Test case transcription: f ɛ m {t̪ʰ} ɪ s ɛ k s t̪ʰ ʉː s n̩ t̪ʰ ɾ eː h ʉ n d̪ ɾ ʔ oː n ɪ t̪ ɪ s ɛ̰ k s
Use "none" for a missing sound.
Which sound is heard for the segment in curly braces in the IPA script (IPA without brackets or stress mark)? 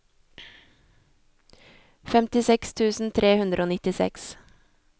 t̪